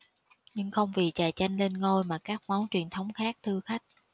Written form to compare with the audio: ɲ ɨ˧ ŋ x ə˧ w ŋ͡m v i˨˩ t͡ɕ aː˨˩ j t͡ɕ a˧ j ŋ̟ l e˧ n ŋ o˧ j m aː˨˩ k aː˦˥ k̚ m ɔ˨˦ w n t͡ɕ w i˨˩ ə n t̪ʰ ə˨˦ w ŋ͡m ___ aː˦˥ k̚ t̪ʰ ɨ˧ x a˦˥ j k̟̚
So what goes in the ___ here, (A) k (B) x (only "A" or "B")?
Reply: B